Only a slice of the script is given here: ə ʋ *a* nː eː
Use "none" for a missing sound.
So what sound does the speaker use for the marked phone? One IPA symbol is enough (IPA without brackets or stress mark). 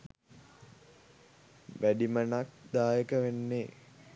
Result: e